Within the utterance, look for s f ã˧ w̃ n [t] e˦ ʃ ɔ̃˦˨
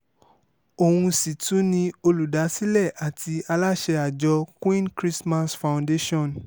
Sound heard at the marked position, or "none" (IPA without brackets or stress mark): d